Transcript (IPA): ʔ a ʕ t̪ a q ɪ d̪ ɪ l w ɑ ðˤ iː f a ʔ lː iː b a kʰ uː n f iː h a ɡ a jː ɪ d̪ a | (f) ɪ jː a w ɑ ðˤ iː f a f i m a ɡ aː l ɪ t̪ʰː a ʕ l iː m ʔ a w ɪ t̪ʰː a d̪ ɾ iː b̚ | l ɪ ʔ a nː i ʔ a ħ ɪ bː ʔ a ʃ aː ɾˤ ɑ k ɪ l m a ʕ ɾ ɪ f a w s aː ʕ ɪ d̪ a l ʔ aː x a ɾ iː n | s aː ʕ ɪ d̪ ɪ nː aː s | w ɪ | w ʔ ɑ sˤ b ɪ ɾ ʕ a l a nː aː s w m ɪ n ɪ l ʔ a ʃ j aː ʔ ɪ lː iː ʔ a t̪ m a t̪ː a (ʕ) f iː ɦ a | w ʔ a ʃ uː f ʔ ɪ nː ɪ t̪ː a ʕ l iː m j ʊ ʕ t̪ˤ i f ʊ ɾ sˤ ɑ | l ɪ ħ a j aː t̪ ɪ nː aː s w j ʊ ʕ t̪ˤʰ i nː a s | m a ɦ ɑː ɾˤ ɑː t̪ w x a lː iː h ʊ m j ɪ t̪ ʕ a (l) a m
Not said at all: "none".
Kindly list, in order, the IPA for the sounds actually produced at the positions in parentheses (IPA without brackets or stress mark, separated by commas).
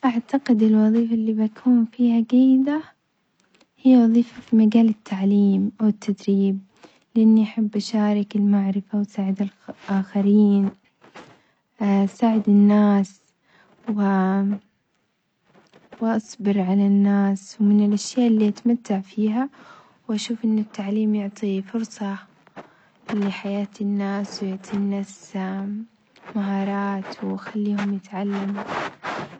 h, ʕ, lː